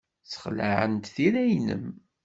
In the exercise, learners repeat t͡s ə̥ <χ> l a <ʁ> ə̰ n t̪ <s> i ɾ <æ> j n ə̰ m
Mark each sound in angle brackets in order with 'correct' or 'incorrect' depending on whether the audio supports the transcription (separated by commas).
correct, incorrect, incorrect, correct